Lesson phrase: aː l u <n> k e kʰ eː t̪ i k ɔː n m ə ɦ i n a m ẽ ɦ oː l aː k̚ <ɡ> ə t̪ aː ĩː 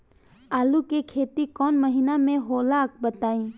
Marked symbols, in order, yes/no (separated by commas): no, no